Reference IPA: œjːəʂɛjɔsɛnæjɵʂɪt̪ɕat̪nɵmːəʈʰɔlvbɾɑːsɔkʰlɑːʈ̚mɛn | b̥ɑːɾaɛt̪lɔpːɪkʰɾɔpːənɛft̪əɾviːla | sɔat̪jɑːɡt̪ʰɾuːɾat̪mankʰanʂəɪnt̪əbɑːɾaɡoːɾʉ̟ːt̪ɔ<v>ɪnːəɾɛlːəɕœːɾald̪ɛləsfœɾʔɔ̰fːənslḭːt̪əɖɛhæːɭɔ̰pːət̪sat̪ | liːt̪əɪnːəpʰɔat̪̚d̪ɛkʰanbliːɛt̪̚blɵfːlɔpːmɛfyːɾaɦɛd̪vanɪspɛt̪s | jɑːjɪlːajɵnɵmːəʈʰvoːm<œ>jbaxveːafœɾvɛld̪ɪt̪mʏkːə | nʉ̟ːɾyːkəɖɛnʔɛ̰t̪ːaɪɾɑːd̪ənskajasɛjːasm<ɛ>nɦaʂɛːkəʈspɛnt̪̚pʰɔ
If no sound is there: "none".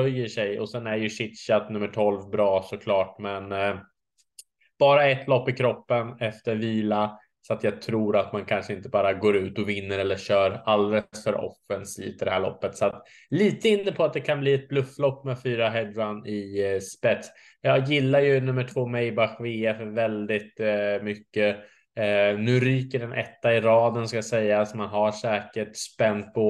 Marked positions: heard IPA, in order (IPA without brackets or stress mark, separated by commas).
v, ɛ, a